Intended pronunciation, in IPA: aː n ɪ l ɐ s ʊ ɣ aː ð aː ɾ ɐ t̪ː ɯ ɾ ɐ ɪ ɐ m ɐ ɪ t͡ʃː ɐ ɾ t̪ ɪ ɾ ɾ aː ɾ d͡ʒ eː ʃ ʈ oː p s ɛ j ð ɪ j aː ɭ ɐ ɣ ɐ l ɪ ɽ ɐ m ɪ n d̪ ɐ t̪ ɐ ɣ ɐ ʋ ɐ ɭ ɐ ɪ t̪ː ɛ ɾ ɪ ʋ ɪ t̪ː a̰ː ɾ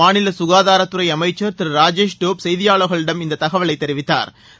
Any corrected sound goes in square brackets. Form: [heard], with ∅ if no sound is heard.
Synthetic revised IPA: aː n ɪ l ɐ s ʊ ɣ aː ð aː ɾ ɐ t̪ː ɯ ɾ ɐ ɪ ɐ m ɐ ɪ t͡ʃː ɐ ɾ t̪ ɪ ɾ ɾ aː [∅] d͡ʒ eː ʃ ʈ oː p s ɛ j ð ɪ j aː ɭ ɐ ɣ ɐ [ɭ] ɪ ɽ ɐ m ɪ n d̪ ɐ t̪ ɐ ɣ ɐ ʋ ɐ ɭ ɐ ɪ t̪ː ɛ ɾ ɪ ʋ ɪ t̪ː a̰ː ɾ